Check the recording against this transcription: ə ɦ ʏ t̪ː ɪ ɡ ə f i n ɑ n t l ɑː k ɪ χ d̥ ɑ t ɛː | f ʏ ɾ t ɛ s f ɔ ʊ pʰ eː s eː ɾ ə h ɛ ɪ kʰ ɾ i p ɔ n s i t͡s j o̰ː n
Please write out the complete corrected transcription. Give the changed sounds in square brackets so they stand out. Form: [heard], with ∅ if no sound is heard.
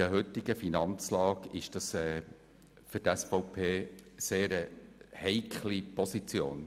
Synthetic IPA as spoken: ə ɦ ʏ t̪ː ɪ ɡ ə f i n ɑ n [t͡s] l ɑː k ɪ [ʃ] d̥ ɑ [s] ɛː | f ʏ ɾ t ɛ s f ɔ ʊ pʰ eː s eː ɾ ə h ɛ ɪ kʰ [l] i p ɔ [∅] s i t͡s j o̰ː n